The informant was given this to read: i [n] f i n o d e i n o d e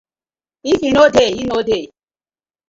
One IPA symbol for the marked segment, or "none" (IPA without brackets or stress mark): none